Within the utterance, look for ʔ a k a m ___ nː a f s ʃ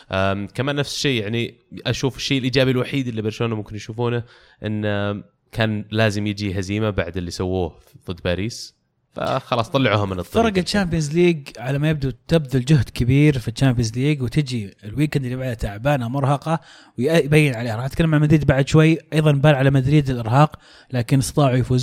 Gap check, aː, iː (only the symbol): aː